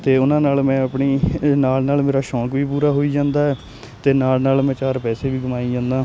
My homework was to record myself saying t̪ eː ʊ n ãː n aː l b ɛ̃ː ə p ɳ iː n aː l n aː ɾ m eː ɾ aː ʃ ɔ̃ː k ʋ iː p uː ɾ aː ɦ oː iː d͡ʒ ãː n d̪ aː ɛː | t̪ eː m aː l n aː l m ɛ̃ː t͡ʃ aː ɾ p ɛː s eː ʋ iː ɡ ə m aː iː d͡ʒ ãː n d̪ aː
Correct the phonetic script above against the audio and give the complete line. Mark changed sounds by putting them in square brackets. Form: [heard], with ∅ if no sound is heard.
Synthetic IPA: t̪ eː ʊ n ãː n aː l [m] ɛ̃ː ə p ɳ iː n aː l n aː [l] m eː ɾ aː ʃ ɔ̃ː k ʋ iː p uː ɾ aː ɦ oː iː d͡ʒ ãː n d̪ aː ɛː | t̪ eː [n] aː l n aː l m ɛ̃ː t͡ʃ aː ɾ p ɛː s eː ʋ iː ɡ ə m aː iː d͡ʒ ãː n d̪ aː